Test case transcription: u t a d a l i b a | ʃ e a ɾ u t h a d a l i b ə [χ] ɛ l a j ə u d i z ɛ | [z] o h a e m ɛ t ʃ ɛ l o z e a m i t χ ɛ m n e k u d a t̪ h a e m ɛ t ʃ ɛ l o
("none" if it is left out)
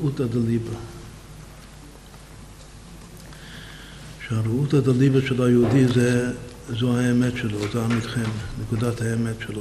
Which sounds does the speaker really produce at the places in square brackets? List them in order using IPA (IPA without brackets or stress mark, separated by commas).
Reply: ʃ, z